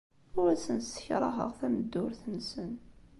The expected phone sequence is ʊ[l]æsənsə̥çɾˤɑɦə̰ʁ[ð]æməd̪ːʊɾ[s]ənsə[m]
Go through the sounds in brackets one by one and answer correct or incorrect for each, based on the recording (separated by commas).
incorrect, incorrect, incorrect, incorrect